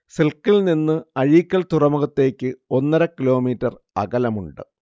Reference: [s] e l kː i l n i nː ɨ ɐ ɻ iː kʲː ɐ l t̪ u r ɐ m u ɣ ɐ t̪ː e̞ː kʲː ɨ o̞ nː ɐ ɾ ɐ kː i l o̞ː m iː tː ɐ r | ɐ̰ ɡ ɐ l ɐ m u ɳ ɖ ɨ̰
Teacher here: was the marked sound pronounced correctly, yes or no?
yes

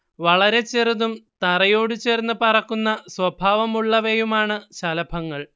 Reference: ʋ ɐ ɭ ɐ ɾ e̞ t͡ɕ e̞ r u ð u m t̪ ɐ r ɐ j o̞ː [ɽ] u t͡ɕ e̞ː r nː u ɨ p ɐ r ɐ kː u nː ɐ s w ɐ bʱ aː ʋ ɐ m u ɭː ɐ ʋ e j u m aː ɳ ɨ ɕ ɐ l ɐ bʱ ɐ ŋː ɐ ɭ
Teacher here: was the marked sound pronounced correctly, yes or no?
yes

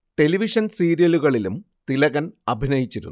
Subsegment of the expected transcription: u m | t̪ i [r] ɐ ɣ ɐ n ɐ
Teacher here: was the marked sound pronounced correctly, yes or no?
no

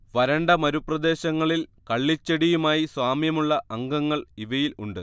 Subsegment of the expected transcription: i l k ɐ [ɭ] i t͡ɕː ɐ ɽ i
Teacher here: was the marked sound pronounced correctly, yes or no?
no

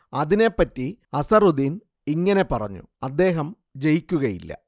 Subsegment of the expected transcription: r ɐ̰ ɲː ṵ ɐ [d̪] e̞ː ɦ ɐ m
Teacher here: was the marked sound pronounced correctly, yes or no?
no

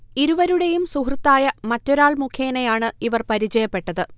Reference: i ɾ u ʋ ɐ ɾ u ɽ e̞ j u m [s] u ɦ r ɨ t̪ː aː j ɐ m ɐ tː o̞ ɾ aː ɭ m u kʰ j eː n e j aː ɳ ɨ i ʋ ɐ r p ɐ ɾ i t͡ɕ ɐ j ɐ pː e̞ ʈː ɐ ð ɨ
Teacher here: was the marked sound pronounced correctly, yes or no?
yes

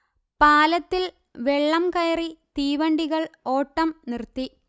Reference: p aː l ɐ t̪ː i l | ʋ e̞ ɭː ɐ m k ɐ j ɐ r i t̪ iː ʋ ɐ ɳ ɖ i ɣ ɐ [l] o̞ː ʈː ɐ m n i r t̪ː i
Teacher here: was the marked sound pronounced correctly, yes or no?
no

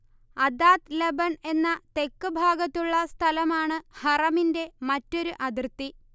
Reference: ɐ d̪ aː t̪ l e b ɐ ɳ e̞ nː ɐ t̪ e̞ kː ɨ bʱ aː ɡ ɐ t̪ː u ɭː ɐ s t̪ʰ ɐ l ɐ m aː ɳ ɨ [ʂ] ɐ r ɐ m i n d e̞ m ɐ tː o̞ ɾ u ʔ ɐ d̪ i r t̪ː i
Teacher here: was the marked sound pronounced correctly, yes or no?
no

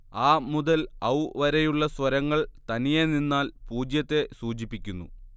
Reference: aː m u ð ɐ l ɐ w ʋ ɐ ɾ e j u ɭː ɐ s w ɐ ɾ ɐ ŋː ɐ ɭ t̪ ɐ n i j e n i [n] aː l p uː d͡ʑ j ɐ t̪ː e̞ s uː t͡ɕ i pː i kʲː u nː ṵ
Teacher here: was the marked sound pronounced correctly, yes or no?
no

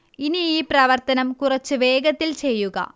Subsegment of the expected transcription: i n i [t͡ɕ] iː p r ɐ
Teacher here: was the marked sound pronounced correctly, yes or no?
no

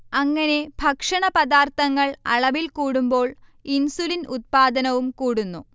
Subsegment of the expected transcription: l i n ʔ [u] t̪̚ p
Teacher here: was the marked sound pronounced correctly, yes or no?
yes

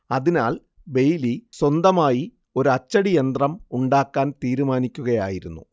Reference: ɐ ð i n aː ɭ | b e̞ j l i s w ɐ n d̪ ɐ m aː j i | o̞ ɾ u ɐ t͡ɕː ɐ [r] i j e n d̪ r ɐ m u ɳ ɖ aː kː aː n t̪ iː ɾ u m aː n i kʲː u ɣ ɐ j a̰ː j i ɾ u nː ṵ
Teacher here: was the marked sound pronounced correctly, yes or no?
no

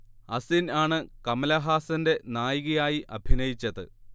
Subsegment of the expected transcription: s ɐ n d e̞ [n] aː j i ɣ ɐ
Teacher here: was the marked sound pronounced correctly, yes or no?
yes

